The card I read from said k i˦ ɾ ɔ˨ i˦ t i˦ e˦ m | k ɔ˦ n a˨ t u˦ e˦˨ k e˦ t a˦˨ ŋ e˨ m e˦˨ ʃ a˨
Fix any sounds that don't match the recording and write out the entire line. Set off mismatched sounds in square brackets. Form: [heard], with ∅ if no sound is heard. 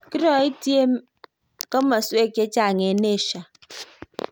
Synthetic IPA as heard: k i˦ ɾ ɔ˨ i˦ t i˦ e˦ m | k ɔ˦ [m] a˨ [s] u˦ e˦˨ k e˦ [t͡ʃ] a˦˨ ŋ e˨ [n] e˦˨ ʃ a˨